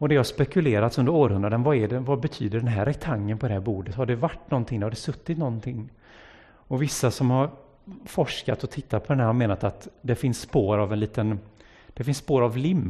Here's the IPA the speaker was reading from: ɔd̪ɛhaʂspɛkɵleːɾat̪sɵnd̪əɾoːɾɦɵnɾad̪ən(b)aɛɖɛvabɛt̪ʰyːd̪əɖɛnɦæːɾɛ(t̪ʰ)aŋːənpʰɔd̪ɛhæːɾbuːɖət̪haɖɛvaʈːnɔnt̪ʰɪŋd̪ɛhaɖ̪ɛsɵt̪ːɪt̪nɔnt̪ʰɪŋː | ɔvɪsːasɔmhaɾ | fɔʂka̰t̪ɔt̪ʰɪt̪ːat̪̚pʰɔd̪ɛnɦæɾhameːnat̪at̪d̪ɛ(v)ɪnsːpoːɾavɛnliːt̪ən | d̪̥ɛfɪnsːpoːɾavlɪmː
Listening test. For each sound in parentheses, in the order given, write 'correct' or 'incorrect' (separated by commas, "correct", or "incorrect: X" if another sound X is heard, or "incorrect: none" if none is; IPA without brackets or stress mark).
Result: incorrect: v, correct, incorrect: f